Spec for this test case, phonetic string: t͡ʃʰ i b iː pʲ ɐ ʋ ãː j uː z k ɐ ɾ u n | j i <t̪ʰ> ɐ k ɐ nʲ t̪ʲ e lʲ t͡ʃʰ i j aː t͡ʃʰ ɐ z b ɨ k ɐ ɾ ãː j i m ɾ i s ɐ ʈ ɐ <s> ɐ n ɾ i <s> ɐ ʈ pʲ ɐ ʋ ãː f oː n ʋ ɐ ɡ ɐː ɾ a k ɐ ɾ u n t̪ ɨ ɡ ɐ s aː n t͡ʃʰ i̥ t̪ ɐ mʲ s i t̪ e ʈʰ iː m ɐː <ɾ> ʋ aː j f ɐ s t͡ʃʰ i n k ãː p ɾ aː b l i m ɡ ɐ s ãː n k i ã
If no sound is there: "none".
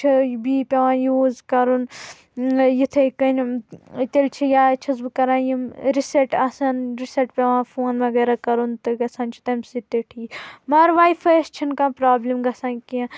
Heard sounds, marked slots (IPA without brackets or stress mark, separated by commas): t̪ʰ, s, s, ɾ